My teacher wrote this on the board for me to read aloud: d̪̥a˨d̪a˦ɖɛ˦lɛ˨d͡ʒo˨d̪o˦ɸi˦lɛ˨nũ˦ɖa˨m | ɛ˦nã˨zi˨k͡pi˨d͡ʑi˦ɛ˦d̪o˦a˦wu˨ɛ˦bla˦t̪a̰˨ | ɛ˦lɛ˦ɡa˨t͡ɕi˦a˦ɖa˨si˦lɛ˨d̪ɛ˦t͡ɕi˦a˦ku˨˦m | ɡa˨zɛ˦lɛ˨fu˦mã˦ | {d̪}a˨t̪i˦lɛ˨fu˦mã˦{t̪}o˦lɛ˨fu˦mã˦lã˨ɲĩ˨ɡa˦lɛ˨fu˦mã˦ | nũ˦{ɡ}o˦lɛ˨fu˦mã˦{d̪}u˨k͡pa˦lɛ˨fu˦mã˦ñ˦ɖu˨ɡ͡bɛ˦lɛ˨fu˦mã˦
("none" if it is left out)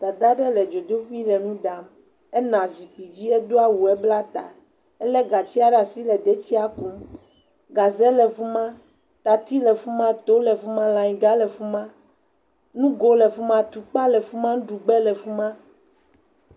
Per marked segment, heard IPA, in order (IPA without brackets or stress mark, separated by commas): t̪, t̪, ɡ, t̪